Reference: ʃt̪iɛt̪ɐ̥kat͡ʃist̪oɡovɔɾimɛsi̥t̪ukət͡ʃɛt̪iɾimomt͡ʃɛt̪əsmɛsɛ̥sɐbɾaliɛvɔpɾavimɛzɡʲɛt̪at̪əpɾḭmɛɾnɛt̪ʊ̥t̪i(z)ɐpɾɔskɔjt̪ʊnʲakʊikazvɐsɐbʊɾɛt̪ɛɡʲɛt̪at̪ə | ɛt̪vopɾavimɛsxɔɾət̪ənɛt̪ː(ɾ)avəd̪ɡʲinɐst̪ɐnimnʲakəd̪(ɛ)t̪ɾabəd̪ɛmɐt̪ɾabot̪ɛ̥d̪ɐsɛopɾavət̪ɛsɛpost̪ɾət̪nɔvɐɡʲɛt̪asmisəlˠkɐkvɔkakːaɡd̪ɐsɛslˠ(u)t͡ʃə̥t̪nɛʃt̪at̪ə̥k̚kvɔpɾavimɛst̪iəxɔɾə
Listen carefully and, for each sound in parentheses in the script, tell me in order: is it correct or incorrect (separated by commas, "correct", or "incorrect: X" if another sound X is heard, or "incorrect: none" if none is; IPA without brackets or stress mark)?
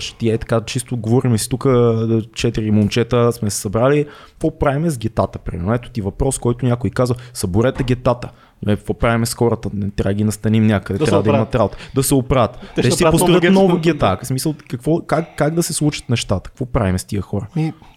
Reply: incorrect: v, correct, correct, correct